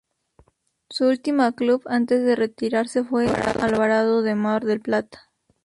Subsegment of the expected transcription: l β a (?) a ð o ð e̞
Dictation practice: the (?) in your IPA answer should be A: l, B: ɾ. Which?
B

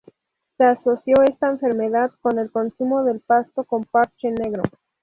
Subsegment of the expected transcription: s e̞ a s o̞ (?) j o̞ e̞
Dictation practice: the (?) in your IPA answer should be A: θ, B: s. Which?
B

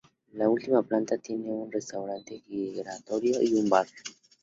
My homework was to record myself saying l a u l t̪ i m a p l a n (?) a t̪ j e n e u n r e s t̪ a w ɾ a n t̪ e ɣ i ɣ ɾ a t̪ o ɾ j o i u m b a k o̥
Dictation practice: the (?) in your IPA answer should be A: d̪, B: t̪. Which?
B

